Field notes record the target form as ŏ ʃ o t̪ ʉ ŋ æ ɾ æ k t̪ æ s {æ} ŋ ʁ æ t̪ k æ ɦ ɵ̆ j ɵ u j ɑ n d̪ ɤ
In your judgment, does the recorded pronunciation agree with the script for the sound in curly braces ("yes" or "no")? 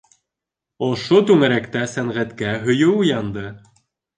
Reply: yes